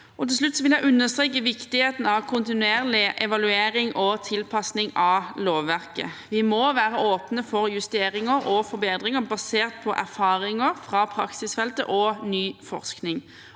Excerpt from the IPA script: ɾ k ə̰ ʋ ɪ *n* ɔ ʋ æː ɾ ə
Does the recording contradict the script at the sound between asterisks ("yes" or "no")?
yes